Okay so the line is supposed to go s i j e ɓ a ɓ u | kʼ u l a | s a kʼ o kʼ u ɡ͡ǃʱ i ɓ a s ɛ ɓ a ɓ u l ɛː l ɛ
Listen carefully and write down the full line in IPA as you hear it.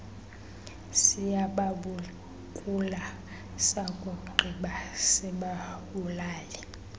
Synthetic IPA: s i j a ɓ a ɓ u | kʼ u l a | s a kʼ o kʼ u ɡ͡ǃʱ i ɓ a s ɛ ɓ a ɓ u l aː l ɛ

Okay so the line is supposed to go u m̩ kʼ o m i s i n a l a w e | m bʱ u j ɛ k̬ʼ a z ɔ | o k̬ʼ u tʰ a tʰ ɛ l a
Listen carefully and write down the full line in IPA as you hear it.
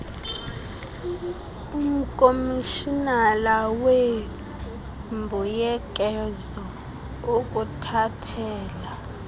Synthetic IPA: u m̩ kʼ o m i ʃ i n a l a w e | m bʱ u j ɛ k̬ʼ ɛ z ɔ | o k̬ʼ u tʰ a tʰ ɛː l a

